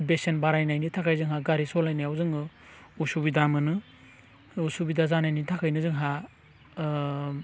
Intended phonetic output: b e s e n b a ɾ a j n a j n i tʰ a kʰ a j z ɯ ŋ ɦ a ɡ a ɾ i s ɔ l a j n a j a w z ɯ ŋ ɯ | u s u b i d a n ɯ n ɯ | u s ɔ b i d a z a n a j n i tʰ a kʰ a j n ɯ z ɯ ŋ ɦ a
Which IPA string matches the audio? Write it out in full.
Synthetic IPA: b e s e n b a ɾ a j n a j n i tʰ a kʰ a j z ɯ ŋ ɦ a ɡ a ɾ i s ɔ l a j n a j a w z ɯ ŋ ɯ | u s u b i d a m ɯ n ɯ | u s u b i d a z a n a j n i tʰ a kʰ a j n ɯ z ɯ ŋ ɦ a